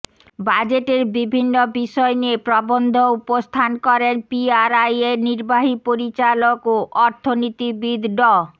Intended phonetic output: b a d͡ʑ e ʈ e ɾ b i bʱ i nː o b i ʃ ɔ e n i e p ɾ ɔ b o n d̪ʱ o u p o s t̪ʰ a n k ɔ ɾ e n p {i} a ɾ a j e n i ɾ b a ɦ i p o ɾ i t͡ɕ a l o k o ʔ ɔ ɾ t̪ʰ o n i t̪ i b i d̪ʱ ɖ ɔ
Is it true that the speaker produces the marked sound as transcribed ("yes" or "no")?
yes